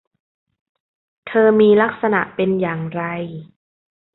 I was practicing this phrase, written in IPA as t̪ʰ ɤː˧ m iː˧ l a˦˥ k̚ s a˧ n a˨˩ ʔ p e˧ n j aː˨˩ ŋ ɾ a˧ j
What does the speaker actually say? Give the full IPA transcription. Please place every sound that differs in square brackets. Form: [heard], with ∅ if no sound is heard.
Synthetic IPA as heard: t̪ʰ ɤː˧ m iː˧ l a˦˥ k̚ s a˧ n a˨˩ ʔ p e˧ n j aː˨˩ ŋ ɾ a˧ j